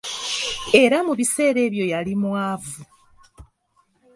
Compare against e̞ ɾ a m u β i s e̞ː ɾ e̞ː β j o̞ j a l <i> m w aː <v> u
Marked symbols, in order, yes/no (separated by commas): yes, yes